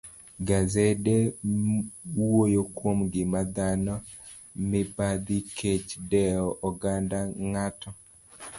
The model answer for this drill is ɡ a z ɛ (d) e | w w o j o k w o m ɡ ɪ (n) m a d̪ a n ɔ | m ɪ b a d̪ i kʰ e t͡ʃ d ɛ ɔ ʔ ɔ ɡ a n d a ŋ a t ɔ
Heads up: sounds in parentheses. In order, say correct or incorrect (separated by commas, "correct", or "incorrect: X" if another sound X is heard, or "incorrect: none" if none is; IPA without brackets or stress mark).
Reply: correct, incorrect: none